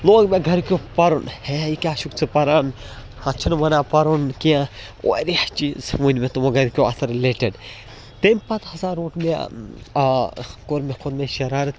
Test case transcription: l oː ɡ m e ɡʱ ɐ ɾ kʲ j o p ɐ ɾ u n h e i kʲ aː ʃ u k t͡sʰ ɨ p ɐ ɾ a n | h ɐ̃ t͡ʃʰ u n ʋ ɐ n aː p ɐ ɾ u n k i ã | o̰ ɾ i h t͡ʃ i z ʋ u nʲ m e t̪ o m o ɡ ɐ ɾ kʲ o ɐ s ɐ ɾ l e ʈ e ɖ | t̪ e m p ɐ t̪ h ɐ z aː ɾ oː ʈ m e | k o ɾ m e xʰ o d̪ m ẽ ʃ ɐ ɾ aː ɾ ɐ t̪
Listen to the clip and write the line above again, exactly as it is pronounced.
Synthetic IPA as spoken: l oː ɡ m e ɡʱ ɐ ɾ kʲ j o p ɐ ɾ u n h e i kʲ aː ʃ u k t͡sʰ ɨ p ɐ ɾ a n | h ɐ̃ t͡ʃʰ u n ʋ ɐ n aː p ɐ ɾ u n k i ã | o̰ ɾ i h t͡ʃ i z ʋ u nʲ m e t̪ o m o ɡ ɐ ɾ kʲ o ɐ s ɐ ɾ l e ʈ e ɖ | t̪ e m p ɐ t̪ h ɐ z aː ɾ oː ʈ m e | k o ɾ m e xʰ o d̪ m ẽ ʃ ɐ ɾ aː ɾ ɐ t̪